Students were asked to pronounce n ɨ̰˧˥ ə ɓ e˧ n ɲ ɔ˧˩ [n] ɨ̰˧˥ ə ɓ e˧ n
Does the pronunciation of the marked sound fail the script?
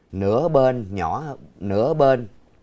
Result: no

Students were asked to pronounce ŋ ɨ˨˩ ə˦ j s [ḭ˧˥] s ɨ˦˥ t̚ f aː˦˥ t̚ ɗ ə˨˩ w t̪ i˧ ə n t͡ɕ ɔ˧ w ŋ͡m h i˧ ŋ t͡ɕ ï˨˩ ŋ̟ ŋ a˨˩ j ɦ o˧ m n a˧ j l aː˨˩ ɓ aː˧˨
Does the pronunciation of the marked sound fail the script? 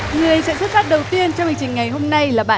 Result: yes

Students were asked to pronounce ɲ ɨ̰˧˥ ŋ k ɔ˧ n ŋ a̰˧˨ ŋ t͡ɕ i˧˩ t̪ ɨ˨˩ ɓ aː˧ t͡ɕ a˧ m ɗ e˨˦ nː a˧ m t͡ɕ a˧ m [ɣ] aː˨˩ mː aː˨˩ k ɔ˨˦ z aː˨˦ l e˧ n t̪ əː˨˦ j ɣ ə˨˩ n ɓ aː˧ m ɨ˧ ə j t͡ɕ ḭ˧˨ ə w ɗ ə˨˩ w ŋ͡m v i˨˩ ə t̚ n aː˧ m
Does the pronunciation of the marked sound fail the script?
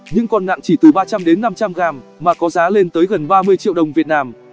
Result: no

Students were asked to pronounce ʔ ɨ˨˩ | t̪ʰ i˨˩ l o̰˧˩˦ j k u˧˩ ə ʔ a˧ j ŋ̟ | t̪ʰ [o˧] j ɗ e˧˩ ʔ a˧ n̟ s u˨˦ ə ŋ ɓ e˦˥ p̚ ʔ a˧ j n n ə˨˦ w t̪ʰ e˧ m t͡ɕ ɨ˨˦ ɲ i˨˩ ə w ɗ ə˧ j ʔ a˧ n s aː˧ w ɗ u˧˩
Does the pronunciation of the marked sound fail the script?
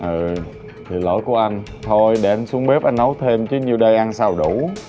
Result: no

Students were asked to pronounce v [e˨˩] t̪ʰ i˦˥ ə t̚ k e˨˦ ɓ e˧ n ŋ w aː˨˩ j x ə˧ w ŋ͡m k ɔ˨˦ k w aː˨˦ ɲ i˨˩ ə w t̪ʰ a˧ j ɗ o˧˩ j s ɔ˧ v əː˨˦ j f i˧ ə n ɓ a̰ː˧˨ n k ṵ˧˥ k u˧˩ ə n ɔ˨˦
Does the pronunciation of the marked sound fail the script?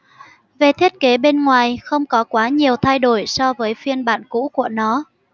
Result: no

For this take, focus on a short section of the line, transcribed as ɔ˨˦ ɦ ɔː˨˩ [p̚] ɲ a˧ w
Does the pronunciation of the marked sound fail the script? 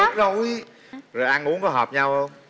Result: no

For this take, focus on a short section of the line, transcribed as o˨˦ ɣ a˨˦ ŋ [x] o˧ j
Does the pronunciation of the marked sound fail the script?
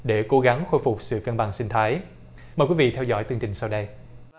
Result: no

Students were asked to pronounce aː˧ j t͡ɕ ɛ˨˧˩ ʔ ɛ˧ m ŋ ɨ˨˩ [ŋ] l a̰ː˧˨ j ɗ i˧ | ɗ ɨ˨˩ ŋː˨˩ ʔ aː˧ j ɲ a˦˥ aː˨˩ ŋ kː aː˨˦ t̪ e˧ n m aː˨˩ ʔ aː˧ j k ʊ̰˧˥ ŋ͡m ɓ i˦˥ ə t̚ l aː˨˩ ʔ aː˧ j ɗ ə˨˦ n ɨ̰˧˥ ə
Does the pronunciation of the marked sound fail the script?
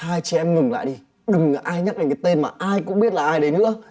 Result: no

